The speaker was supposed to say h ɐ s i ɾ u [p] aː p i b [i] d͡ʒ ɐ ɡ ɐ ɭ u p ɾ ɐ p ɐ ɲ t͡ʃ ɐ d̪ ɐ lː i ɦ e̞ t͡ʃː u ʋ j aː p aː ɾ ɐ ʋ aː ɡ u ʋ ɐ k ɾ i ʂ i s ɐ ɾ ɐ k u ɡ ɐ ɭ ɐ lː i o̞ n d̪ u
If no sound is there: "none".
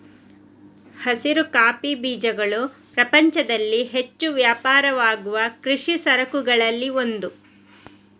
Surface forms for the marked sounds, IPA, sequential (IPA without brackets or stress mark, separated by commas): k, iː